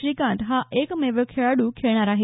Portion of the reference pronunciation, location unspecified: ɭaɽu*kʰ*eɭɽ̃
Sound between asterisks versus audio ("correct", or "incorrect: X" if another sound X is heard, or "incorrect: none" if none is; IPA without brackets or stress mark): correct